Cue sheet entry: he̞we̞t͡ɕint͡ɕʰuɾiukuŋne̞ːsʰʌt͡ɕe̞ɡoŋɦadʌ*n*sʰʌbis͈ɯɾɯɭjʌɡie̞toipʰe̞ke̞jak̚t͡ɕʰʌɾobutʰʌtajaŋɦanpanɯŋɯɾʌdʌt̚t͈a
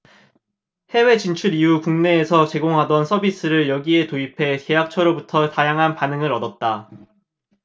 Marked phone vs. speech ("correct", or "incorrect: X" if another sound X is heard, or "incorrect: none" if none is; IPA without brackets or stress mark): correct